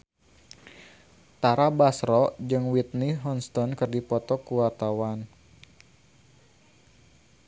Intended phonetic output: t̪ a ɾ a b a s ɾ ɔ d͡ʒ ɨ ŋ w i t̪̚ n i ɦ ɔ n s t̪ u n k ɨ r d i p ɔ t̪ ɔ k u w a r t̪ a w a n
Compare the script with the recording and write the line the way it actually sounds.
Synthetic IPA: t̪ a ɾ a b a s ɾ ɔ d͡ʒ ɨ ŋ w i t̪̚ n i ɦ ɔ n s t̪ ɔ n k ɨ r d i p ɔ t̪ ɔ k u w a r t̪ a w a n